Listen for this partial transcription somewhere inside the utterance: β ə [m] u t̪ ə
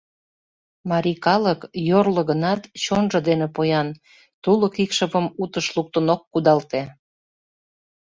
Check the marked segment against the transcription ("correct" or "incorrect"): correct